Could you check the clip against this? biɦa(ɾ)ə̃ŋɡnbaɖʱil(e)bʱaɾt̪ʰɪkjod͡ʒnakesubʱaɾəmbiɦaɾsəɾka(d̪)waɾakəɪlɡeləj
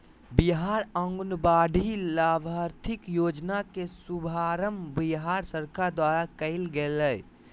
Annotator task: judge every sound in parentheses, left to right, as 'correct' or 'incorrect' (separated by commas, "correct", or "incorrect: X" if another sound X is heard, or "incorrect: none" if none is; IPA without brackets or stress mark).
correct, incorrect: a, correct